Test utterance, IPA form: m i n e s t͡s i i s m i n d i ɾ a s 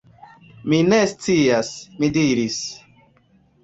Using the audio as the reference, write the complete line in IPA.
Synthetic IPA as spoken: m i n e s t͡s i a s m i d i ɾ i s